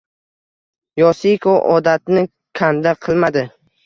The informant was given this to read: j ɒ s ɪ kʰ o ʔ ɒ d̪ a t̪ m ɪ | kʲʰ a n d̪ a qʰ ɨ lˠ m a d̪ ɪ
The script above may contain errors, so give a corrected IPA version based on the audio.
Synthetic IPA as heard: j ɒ s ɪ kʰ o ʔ ɒ d̪ a t̪ n ɪ | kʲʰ a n d̪ a qʰ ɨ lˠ m a d̪ ɪ